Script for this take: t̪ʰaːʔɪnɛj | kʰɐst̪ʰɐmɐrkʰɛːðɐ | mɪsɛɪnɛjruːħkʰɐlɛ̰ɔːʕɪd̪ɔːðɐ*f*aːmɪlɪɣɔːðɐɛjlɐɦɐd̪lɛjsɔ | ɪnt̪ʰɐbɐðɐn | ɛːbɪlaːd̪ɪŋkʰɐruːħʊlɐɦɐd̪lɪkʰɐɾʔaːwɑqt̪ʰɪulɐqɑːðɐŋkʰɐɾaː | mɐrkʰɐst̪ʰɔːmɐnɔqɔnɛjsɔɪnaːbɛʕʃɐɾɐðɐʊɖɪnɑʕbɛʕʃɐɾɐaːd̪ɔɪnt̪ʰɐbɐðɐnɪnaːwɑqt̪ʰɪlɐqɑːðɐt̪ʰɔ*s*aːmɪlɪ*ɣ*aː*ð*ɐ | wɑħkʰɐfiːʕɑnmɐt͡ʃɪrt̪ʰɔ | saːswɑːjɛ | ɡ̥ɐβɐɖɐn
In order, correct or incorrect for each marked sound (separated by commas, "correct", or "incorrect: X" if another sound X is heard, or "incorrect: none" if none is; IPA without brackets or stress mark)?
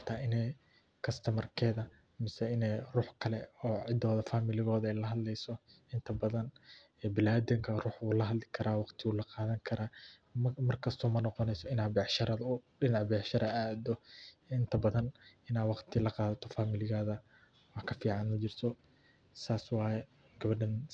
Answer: correct, incorrect: f, correct, correct